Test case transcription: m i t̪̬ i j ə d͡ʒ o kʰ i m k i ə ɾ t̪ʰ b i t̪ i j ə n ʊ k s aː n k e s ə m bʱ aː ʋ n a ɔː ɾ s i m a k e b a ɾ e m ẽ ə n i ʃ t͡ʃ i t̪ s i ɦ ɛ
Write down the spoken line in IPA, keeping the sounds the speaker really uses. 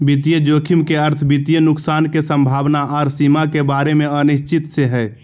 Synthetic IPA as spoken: b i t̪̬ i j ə d͡ʒ o kʰ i m k e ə ɾ t̪ʰ b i t̪ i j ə n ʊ k s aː n k e s ə m bʱ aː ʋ n a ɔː ɾ s i m a k e b a ɾ e m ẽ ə n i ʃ t͡ʃ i t̪ s e ɦ ɛ

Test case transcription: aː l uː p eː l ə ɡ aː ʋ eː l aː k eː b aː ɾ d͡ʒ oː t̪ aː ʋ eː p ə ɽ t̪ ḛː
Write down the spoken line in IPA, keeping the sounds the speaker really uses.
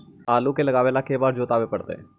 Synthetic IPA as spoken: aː l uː k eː l ə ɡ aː ʋ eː l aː k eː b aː ɾ d͡ʒ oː t̪ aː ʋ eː p ə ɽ t̪ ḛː

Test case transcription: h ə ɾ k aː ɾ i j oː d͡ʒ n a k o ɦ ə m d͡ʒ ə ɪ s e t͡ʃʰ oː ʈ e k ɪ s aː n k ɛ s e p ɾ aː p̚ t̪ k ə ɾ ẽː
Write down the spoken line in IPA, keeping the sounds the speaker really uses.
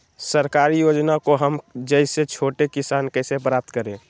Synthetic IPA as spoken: s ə ɾ k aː ɾ i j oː d͡ʒ n a k o ɦ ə m d͡ʒ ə ɪ s e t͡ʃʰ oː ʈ e k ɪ s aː n k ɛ s e p ɾ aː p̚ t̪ k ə ɾ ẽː

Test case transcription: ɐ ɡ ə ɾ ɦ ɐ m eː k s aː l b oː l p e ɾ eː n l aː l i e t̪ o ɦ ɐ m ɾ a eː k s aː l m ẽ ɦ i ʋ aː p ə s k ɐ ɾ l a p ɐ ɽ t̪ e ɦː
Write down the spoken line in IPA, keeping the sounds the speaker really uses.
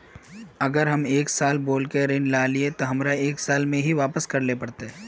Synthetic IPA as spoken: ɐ ɡ ə ɾ ɦ ɐ m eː k s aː l b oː l k e ɾ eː n l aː l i e t̪ o ɦ ɐ m ɾ a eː k s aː l m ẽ ɦ i ʋ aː p ə s k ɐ ɾ l e p ɐ ɽ t̪ e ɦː

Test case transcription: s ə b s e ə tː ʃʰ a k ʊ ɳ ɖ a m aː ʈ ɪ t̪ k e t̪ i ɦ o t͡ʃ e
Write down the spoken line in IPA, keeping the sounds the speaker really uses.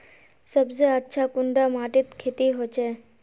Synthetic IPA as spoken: s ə b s e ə tː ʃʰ a k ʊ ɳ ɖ a m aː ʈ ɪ t̪ kʰ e t̪ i ɦ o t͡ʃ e

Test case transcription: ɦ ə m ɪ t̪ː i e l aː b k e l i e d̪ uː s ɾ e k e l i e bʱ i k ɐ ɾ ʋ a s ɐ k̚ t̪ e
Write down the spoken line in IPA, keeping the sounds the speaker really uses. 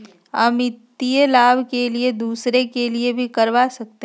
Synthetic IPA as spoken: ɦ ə m ɪ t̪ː i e l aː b k e l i e d̪ uː s ɾ e k e l i e bʱ i k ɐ ɾ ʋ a s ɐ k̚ t̪ e

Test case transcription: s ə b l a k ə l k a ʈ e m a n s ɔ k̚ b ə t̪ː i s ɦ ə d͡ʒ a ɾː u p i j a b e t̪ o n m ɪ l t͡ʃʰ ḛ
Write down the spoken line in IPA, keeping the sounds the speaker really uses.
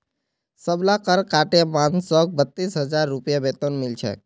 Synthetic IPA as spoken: s ə b l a k ə ɾ k a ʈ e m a n s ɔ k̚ b ə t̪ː i s ɦ ə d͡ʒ a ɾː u p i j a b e t̪ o n m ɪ l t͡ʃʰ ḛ

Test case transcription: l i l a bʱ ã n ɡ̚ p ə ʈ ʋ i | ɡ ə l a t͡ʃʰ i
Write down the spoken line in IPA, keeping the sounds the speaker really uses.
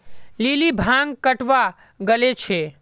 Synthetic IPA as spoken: l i l i bʱ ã ŋ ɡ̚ k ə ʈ ʋ a | ɡ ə l e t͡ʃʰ e

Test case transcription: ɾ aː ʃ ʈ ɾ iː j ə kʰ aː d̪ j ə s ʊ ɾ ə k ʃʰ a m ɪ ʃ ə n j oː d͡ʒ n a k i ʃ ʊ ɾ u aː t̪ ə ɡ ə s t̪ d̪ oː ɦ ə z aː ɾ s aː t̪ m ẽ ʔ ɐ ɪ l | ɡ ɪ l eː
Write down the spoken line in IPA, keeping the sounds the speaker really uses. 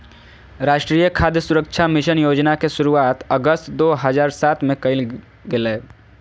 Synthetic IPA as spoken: ɾ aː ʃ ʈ ɾ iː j ə kʰ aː d̪ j ə s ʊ ɾ ə k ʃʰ a m ɪ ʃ ə n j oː d͡ʒ n a k e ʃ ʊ ɾ u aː t̪ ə ɡ ə s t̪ d̪ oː ɦ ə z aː ɾ s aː t̪ m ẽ k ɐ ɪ l | ɡ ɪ l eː

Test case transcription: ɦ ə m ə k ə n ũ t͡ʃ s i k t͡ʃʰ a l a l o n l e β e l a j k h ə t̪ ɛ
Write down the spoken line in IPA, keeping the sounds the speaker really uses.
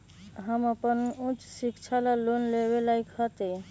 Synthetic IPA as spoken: ɦ ə m ə p ə n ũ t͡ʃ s i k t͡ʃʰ a l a l o n l e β e l a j k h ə t̪ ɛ

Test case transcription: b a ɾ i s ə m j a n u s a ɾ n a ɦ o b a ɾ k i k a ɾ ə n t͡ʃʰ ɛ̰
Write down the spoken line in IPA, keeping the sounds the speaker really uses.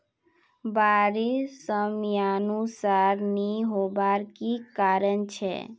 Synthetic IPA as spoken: b a ɾ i s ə m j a n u s a ɾ n i ɦ o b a ɾ k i k a ɾ ə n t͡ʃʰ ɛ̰

